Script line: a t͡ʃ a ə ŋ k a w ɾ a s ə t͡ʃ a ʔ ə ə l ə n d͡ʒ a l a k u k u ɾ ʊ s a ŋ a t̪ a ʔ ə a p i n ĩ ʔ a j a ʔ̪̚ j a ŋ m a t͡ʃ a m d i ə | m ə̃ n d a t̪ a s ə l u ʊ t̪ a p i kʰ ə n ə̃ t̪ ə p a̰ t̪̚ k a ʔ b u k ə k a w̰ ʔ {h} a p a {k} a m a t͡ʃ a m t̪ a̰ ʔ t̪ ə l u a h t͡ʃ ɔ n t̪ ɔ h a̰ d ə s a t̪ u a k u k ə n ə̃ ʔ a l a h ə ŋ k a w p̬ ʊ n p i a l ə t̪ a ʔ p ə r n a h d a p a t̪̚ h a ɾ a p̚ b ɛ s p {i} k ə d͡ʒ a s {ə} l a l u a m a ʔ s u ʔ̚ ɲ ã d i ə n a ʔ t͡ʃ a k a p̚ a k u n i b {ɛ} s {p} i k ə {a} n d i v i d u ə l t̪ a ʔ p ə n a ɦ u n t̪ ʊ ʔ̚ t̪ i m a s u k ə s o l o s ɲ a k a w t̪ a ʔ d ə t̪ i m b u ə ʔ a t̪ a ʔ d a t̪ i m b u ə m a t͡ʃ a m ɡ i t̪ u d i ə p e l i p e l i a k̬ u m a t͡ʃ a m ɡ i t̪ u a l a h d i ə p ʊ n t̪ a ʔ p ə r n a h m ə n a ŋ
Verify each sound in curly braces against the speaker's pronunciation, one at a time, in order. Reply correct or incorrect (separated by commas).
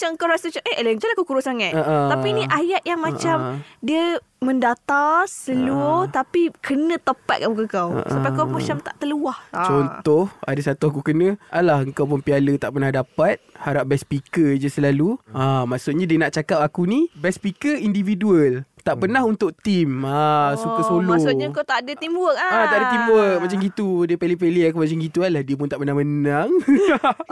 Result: incorrect, correct, correct, correct, correct, correct, incorrect